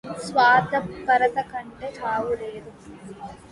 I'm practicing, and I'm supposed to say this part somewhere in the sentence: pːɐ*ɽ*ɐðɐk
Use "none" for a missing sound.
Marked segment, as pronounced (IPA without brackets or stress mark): ɾ